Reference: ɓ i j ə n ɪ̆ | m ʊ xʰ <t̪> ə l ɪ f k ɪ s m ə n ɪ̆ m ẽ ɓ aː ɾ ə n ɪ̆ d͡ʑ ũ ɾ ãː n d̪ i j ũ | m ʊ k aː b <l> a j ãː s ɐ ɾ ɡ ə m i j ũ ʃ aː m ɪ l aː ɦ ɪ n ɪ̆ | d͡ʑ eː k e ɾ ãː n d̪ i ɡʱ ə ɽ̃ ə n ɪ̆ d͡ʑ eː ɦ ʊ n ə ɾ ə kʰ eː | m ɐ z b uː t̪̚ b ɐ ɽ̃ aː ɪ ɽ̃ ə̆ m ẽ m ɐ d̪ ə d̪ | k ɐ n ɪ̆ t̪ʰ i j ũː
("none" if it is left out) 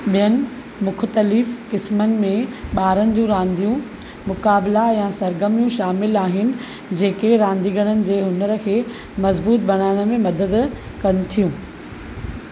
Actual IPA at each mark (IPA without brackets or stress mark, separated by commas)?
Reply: t̪, l